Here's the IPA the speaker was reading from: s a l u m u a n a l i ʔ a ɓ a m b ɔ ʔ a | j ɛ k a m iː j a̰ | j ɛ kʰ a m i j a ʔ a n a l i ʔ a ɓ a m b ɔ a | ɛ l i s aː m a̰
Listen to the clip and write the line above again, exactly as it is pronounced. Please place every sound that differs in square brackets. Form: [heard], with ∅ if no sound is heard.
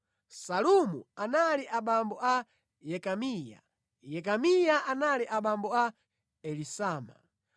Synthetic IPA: s a l u m u a n a l i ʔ a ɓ a m b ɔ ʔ a | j ɛ k a m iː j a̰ | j ɛ [k] a m i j a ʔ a n a l i ʔ a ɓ a m b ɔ a | ɛ l i s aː m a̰

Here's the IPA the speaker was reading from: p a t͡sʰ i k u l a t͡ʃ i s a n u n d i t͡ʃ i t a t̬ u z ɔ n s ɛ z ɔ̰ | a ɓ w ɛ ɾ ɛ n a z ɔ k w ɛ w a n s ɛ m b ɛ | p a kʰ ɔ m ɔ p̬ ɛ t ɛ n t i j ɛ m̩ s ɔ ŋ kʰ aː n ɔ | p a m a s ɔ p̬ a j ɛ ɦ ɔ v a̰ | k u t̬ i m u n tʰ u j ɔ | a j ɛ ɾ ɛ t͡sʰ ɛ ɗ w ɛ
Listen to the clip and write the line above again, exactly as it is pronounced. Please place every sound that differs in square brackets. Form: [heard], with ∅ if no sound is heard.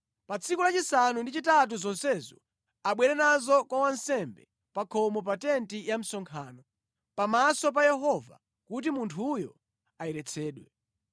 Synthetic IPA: p a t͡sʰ i k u l a t͡ʃ i s a n u n d i t͡ʃ i t a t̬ u z ɔ n s ɛ z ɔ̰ | a ɓ w ɛ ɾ ɛ n a z ɔ k w [a] w a n s ɛ m b ɛ | p a kʰ ɔ m ɔ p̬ [a] t ɛ n t i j [a] m̩ s ɔ ŋ kʰ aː n ɔ | p a m a s ɔ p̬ a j ɛ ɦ ɔ v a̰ | k u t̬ i m u n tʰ u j ɔ | a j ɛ ɾ ɛ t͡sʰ [ɛː] ɗ w ɛ

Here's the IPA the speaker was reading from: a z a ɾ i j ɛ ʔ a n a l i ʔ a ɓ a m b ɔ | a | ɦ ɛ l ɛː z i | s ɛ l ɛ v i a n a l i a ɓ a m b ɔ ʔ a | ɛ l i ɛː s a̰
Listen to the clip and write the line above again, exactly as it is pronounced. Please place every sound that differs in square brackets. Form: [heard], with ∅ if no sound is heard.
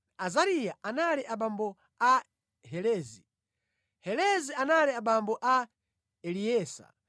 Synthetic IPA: a z a ɾ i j [a] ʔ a n a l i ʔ a ɓ a m b ɔ | a | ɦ ɛ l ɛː z i | [h] ɛ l ɛ [z] i a n a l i a ɓ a m b ɔ ʔ a | ɛ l i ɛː s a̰

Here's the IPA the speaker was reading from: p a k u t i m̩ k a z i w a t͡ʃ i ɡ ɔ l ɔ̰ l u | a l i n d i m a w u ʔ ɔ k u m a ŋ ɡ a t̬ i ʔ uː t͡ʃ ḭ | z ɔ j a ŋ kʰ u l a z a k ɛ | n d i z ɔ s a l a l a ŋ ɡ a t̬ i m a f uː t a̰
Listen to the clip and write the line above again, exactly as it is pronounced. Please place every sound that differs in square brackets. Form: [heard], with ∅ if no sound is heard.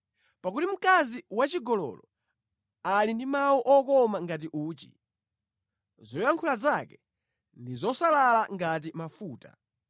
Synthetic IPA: p a k u t i m̩ k a z i w a t͡ʃ i ɡ ɔ l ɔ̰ l [ɔ] | a l i n d i m a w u ʔ ɔ k [ɔ] m a ŋ ɡ a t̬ i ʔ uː t͡ʃ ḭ | z ɔ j a ŋ kʰ u l a z a k ɛ | n d i z ɔ s a l a l a ŋ ɡ a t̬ i m a f uː t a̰

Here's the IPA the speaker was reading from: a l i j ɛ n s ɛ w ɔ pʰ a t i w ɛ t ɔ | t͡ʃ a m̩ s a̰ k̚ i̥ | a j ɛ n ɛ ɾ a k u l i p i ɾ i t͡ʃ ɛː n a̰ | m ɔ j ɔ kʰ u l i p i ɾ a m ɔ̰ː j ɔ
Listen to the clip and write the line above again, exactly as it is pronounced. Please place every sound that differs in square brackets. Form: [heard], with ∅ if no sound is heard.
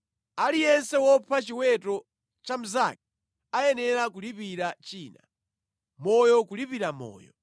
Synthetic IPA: a l i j ɛ n s ɛ w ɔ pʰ a [t͡ʃ] i w ɛ t ɔ | t͡ʃ a m̩ [z] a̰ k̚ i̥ | a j ɛ n ɛ ɾ a k u l i p i ɾ [a] t͡ʃ [iː] n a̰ | m ɔ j ɔ [k] u l i p i ɾ a m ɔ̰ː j ɔ

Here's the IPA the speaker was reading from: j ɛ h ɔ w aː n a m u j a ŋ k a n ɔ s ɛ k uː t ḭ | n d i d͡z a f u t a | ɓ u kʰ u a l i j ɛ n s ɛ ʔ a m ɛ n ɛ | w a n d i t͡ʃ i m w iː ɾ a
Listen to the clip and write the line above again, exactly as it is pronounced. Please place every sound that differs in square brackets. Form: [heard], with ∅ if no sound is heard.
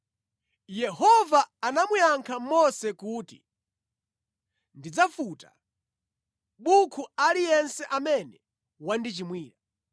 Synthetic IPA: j ɛ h ɔ [v] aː n a m u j a ŋ [kʰ] a [m] ɔ s ɛ k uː t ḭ | n d i d͡z a f u t a | ɓ u kʰ u a l i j ɛ n s ɛ ʔ a m ɛ n ɛ | w a n d i t͡ʃ i m w iː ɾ a

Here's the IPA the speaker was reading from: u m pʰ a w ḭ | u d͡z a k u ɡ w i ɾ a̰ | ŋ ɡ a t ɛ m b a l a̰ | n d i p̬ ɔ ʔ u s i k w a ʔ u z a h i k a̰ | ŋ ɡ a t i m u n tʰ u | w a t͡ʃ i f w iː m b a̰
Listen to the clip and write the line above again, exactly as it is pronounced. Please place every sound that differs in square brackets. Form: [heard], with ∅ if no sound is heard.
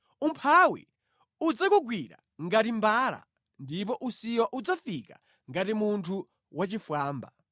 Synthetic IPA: u m pʰ a w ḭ | u d͡z a k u ɡ w i ɾ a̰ | ŋ ɡ a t [i] m b a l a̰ | n d i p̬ ɔ ʔ u s i [∅] w a ʔ u [d͡z] a [f] i k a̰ | ŋ ɡ a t i m u n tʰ u | w a t͡ʃ i f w [aː] m b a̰

